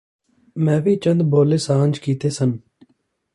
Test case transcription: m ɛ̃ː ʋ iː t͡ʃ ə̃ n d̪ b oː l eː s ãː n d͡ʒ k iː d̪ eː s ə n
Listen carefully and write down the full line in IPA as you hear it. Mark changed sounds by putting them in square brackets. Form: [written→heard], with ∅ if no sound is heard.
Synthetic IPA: m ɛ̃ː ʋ iː t͡ʃ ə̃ n d̪ b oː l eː s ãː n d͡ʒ k iː [d̪→t̪] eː s ə n